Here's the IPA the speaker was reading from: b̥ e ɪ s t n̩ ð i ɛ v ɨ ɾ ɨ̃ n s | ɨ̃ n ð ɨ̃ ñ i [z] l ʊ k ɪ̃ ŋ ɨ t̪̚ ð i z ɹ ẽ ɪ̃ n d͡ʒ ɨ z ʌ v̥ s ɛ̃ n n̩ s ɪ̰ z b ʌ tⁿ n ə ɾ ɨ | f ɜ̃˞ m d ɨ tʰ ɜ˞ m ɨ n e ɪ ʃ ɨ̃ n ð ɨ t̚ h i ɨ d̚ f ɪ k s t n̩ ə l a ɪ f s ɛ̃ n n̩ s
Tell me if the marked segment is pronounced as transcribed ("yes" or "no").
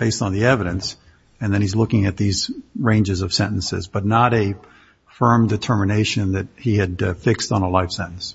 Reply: yes